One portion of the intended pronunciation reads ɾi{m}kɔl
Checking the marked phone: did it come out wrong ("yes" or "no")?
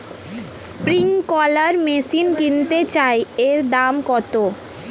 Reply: yes